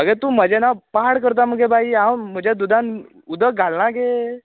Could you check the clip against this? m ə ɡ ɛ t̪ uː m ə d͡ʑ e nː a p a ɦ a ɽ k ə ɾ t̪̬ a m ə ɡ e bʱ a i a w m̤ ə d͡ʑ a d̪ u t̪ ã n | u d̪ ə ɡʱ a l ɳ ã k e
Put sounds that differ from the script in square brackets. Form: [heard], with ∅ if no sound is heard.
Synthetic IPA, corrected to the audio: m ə ɡ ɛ t̪ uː m ə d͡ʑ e [n] a p a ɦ a ɽ k ə ɾ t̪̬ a m ə ɡ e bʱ a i a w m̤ ə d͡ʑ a d̪ u [d̪] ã n | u d̪ ə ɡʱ a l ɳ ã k e